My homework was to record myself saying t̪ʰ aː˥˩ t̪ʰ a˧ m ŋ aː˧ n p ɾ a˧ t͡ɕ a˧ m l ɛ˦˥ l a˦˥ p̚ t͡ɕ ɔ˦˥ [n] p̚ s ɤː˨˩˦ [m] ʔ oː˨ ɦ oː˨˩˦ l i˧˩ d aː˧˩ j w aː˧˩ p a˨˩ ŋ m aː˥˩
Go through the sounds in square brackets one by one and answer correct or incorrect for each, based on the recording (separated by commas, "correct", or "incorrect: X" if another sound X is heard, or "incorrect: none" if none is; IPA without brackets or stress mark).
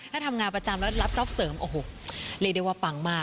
incorrect: none, correct